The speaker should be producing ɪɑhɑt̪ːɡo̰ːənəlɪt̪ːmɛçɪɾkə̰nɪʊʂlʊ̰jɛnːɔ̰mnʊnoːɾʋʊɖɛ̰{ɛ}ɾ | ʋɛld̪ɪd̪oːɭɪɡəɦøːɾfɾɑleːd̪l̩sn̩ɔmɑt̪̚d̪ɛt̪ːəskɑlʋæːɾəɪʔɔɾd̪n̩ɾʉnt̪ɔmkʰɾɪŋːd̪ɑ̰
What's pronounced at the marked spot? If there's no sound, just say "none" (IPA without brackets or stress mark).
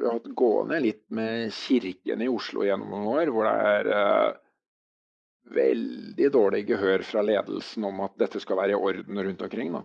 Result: æ